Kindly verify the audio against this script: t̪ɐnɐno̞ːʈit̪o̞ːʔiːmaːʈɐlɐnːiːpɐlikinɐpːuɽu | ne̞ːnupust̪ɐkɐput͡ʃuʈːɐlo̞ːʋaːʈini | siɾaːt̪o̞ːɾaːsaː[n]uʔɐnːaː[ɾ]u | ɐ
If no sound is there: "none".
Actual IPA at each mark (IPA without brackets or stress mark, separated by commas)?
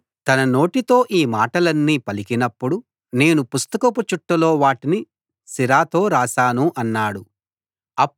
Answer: n, ɽ